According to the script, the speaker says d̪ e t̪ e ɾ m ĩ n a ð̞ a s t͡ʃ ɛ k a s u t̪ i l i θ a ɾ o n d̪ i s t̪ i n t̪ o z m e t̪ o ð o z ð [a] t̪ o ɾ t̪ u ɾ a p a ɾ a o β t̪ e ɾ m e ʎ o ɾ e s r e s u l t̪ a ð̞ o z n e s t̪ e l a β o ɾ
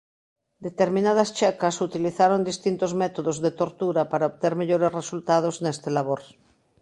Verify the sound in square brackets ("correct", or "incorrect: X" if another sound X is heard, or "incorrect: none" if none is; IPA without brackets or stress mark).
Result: incorrect: e